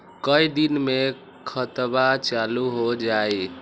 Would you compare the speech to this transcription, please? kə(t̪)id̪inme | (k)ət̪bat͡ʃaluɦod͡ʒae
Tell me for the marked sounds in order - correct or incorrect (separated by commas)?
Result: incorrect, incorrect